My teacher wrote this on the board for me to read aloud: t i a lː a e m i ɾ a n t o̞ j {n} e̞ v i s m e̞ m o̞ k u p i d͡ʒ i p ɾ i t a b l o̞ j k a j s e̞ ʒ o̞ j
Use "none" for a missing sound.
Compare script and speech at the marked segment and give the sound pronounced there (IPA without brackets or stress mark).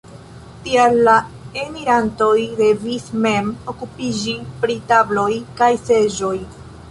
d